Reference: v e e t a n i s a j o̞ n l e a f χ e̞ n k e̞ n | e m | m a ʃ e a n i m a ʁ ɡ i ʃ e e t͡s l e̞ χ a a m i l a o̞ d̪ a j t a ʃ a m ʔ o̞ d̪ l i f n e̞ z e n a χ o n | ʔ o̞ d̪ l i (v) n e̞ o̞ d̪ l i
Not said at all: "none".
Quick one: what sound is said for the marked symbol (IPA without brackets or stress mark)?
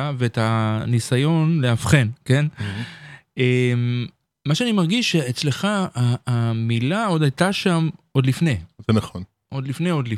f